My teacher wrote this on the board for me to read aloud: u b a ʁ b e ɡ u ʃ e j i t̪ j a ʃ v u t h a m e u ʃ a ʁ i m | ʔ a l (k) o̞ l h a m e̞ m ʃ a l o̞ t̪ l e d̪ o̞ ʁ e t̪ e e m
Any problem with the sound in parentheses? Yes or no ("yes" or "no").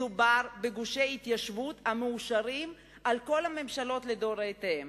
no